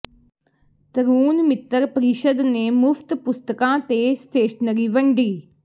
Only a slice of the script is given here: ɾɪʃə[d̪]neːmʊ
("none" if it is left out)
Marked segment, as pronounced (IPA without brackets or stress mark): d̪